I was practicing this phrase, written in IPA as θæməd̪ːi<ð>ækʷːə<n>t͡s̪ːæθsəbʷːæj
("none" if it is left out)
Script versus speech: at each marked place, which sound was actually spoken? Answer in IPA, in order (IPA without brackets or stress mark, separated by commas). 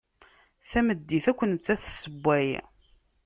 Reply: θ, n